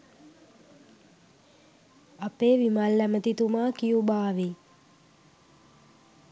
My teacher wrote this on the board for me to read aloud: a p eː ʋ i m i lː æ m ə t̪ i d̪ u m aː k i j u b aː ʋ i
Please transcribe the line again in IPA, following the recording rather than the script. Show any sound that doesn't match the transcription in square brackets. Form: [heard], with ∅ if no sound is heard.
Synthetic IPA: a p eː ʋ i m [a] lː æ m ə t̪ i [t̪] u m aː k i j u b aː ʋ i